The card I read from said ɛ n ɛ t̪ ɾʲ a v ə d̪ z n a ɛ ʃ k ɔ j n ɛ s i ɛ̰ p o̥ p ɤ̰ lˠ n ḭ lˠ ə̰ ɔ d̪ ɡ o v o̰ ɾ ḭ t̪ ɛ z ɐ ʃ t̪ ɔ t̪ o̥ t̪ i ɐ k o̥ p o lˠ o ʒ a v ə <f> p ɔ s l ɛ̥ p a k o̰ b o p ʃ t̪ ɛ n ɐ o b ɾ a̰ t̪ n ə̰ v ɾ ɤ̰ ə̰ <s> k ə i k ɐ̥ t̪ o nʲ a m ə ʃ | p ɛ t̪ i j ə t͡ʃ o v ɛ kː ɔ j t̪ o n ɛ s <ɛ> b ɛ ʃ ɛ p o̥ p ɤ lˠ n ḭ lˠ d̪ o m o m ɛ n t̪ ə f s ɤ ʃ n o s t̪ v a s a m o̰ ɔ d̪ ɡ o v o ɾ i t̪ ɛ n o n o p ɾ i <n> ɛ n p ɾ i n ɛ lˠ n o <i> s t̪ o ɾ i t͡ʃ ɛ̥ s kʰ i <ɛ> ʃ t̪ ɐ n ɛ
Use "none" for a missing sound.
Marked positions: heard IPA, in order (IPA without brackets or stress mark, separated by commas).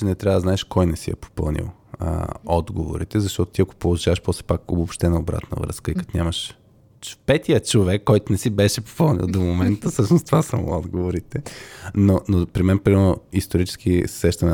ʃ, s, i, m, i, ɛ